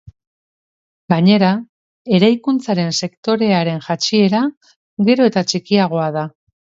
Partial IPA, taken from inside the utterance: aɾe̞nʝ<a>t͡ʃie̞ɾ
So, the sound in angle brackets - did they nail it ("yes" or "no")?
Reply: yes